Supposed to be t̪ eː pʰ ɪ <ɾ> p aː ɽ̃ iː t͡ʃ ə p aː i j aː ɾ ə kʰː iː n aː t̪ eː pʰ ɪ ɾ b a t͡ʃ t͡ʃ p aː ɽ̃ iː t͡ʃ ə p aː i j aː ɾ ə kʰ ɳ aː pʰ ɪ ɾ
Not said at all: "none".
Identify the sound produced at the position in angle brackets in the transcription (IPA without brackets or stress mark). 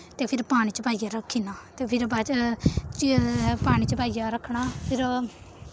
ɾ